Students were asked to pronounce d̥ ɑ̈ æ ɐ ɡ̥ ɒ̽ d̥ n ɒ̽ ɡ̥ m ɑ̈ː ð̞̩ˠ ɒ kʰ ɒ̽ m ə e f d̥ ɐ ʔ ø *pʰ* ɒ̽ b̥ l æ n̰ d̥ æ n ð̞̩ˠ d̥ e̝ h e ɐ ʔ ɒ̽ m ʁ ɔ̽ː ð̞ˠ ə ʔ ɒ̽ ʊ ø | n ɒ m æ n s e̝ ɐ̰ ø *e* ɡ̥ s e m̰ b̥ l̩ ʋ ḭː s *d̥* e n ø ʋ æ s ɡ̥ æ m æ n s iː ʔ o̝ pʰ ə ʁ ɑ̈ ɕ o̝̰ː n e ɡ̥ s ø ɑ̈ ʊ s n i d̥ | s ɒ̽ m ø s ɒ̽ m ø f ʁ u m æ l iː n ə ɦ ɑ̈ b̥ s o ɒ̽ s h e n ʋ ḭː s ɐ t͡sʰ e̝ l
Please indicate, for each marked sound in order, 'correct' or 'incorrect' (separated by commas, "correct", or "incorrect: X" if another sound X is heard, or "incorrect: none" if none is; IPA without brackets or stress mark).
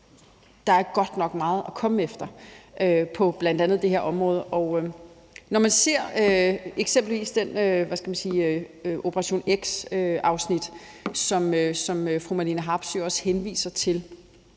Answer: correct, correct, correct